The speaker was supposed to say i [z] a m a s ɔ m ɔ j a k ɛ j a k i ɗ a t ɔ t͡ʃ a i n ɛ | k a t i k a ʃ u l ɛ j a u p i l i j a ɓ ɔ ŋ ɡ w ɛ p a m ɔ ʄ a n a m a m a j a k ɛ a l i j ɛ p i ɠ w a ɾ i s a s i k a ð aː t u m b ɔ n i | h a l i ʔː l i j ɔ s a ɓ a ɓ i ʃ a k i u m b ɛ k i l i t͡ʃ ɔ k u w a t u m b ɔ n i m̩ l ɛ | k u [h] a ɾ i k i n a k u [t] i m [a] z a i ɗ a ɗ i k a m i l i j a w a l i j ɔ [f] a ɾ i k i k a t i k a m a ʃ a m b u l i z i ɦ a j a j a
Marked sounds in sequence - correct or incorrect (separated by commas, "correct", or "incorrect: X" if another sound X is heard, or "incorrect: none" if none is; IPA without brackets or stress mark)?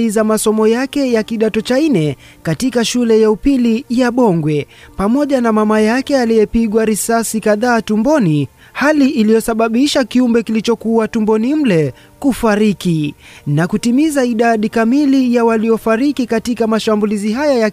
correct, incorrect: f, correct, incorrect: i, correct